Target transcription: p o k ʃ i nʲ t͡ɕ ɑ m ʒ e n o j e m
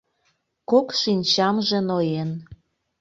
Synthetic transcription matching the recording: k o k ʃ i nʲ t͡ɕ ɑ m ʒ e n o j e n

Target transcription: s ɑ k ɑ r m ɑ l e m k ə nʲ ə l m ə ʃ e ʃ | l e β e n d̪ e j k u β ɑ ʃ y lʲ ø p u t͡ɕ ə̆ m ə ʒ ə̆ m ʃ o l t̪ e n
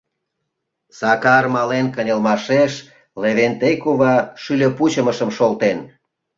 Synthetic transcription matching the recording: s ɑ k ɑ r m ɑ l e n k ə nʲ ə l m ɑ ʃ e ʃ | l e β e n t̪ e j k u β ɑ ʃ y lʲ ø p u t͡ɕ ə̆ m ə ʃ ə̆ m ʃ o l t̪ e n

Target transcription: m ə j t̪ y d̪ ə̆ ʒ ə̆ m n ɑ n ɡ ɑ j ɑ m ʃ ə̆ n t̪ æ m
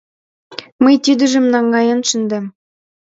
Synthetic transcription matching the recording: m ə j t̪ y d̪ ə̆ ʒ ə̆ m n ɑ ŋ ɡ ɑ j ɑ n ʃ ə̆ n d̪ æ m

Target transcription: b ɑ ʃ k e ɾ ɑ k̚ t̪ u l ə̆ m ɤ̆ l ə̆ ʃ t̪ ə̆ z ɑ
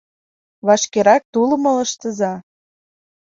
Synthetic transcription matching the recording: β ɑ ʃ k e ɾ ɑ k̚ t̪ u l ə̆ m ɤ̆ l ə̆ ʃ t̪ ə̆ z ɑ

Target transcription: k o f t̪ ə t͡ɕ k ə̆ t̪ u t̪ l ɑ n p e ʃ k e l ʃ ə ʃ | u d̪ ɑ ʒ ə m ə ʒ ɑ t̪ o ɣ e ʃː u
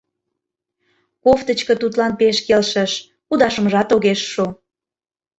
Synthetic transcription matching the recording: k o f t̪ ə t͡ɕ k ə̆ t̪ u t̪ l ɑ n p e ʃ k e l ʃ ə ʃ | u d̪ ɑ ʃ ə m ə ʒ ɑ t̪ o ɣ e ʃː u

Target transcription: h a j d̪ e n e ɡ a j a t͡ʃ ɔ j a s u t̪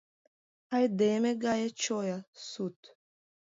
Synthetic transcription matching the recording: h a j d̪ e m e ɡ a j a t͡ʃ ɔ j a s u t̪

